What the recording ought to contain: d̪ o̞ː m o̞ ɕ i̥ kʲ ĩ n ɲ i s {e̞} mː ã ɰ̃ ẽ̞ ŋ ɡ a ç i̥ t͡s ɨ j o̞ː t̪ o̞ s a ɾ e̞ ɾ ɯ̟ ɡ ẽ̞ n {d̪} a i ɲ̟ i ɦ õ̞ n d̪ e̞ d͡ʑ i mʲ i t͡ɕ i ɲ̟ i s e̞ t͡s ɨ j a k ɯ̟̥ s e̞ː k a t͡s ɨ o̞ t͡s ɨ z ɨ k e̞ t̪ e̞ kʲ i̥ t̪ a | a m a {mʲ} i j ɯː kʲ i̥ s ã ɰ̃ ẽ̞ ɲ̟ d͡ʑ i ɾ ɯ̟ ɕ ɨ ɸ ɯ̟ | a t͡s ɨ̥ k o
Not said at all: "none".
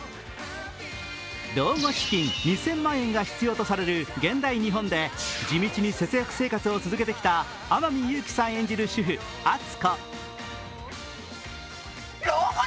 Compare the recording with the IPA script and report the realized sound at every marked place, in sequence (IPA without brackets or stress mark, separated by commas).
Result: ẽ̞, d̪, mʲ